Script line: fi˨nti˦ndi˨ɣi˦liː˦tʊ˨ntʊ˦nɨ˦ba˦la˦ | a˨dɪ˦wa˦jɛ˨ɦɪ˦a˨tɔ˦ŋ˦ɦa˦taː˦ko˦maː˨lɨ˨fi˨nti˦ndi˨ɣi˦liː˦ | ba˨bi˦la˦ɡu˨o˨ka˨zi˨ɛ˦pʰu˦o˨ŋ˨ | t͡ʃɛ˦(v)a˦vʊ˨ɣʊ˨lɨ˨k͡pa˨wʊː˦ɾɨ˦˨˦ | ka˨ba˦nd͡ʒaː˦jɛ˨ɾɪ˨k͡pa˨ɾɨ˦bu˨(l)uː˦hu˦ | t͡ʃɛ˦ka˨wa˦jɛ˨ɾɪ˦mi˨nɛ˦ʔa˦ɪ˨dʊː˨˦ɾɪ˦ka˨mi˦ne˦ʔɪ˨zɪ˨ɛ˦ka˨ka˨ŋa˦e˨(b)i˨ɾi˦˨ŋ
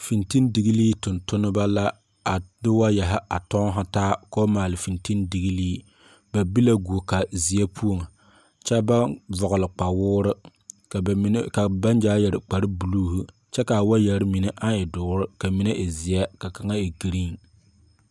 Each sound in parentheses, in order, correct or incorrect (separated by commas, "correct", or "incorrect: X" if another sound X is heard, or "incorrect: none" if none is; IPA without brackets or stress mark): incorrect: b, correct, incorrect: ɡ